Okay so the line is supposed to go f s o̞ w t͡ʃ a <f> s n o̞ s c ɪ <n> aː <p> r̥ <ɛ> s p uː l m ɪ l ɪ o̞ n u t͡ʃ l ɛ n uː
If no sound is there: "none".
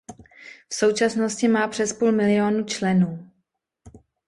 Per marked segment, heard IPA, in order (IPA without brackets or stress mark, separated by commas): none, m, p, ɛ